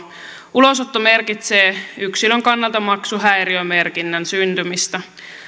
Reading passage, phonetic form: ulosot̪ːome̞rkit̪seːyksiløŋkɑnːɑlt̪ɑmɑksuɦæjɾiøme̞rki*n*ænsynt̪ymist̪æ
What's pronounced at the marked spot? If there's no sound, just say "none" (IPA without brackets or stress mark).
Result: nː